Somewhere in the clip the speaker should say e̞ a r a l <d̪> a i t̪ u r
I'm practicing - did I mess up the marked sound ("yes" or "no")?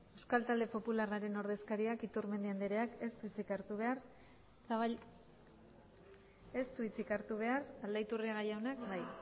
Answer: no